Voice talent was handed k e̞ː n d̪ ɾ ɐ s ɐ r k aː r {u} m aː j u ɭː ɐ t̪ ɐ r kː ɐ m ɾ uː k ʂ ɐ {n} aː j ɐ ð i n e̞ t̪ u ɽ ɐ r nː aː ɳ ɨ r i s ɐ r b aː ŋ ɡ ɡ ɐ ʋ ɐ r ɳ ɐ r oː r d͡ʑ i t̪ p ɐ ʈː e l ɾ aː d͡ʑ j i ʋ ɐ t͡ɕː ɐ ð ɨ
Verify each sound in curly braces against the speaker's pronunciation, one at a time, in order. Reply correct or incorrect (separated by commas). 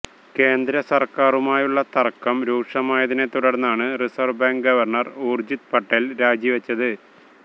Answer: correct, incorrect